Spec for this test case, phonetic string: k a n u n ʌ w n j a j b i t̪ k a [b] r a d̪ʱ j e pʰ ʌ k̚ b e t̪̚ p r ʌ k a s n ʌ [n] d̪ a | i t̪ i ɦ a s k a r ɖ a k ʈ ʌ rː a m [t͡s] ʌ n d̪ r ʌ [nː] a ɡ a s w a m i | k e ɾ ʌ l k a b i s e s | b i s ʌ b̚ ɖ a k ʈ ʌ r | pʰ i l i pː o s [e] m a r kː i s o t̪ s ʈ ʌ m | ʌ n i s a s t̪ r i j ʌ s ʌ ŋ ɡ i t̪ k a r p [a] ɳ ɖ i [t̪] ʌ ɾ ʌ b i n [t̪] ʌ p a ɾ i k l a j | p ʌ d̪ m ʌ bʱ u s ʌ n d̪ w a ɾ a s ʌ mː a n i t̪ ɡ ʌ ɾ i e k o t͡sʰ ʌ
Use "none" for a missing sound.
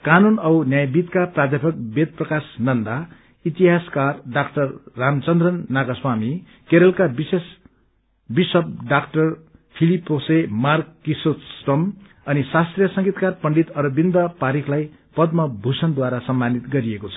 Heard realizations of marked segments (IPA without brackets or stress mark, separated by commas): p, n, t͡s, nː, e, ʌ, t̪, d̪